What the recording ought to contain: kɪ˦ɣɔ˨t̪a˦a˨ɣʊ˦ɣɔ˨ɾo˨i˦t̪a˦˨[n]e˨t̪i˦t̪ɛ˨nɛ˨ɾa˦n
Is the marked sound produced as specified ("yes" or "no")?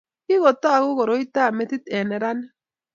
no